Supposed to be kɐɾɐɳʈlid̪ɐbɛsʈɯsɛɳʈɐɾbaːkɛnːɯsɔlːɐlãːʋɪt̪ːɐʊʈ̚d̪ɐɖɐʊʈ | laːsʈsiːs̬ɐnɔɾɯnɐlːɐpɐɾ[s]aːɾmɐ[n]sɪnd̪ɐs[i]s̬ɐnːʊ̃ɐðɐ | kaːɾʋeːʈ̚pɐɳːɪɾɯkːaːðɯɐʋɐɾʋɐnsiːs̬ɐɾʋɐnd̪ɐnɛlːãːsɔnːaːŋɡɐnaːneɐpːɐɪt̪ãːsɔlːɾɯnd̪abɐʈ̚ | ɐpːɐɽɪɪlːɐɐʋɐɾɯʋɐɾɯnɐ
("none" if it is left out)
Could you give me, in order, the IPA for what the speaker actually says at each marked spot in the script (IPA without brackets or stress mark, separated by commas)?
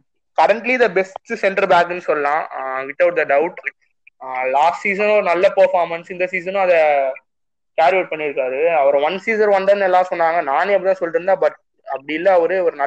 f, n, iː